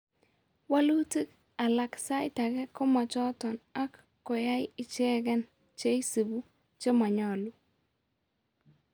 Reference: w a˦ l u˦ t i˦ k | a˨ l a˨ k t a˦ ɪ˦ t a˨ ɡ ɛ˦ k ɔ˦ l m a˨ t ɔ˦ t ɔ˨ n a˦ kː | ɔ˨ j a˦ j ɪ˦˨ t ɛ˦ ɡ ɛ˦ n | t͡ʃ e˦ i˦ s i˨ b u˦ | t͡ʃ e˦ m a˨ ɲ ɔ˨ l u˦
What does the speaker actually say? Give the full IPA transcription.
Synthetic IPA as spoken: w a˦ l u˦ t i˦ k | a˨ l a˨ k s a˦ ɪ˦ t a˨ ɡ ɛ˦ k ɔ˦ m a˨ t͡ʃ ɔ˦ t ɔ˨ n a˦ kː | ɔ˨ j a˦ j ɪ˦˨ t͡ʃ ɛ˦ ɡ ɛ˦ n | t͡ʃ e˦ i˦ s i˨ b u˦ | t͡ʃ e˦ m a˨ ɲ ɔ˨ l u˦